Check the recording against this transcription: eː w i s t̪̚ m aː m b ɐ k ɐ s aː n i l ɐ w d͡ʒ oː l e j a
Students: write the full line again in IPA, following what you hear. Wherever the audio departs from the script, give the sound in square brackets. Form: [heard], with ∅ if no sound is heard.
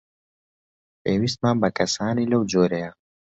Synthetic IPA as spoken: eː w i s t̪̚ m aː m b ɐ k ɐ s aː n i l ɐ w d͡ʒ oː [ɾ] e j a